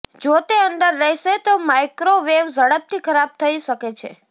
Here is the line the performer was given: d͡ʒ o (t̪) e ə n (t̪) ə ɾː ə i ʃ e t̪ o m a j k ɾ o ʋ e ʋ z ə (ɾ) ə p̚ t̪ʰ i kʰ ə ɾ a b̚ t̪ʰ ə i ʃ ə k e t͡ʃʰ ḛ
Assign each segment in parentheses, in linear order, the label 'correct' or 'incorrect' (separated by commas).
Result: correct, incorrect, incorrect